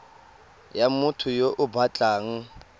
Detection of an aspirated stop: present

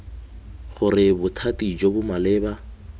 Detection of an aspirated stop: present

